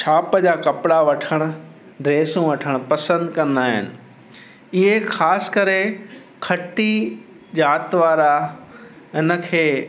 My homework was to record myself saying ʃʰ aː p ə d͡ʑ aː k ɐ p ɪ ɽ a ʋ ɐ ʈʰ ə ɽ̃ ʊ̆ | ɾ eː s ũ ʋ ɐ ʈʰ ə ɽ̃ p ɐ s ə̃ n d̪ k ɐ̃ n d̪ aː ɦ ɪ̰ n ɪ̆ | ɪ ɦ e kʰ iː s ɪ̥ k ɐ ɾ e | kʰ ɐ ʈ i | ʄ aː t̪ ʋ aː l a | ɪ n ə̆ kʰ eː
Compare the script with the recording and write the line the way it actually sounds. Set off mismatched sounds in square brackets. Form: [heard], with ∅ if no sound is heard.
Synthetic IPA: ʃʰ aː p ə d͡ʑ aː k ɐ p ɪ ɽ a ʋ ɐ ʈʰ ə ɽ̃ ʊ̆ | ɾ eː s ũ ʋ ɐ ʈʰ ə ɽ̃ p ɐ s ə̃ n d̪ k ɐ̃ n d̪ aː ɦ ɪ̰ n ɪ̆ | ɪ ɦ e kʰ [aː] s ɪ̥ k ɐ ɾ e | kʰ ɐ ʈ i | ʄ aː t̪ ʋ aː [ɾ] a | ɪ n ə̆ kʰ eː